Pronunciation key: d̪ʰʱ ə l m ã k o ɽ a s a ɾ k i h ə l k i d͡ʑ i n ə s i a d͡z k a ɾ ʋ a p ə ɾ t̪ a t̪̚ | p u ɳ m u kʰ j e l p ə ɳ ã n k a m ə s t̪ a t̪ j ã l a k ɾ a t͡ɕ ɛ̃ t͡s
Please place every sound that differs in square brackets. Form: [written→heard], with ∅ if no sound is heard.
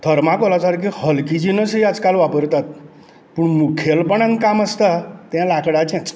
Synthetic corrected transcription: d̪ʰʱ ə [l→ɾ] m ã k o [ɽ→l] a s a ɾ k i h ə l k i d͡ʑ i n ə s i a d͡z k a [ɾ→l] ʋ a p ə ɾ t̪ a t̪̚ | p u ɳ m u kʰ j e l p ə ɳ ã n k a m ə s t̪ a t̪ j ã l a k [ɾ→ɽ] a t͡ɕ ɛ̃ t͡s